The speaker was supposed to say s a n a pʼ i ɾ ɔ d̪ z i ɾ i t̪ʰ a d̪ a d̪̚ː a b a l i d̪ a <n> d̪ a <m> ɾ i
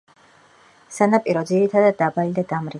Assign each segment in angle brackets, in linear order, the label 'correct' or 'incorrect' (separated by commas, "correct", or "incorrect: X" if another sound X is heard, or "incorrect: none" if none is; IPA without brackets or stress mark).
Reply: incorrect: none, correct